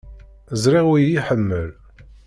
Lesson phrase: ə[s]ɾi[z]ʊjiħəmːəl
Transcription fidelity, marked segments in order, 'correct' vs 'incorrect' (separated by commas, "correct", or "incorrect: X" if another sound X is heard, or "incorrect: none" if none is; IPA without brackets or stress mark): incorrect: z, incorrect: ʁ